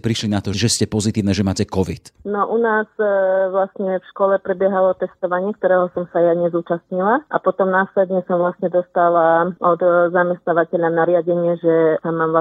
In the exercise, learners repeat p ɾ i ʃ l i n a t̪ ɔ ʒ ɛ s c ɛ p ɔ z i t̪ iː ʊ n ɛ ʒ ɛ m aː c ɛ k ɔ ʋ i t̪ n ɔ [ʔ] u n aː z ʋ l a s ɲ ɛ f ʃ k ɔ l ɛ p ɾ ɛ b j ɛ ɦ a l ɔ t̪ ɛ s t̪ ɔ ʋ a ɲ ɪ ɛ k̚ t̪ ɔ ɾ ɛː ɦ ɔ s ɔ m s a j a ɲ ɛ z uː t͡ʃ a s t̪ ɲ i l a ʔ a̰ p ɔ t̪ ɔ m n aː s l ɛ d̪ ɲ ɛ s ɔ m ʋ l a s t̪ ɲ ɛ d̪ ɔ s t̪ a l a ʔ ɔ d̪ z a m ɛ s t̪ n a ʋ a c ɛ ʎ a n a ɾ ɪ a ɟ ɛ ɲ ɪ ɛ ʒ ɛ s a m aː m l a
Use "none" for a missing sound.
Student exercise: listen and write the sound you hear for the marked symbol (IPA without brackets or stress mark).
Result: ʔ